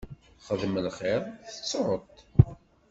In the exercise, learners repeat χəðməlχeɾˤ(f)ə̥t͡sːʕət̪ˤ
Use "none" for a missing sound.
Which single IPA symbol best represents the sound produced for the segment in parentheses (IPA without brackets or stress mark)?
θ